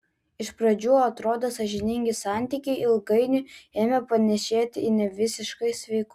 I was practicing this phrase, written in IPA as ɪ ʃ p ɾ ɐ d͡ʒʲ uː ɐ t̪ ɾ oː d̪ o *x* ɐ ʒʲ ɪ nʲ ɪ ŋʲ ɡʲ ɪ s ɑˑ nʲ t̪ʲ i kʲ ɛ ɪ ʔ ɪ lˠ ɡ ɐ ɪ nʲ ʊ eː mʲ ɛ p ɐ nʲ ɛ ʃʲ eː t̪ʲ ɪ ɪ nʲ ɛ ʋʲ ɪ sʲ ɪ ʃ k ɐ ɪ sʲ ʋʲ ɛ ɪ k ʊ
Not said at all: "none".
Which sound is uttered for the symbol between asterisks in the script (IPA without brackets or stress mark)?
s